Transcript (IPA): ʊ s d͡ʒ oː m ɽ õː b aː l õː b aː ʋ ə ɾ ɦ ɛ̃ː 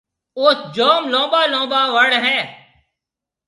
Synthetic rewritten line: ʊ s d͡ʒ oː m l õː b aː l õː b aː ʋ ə ɽ ɦ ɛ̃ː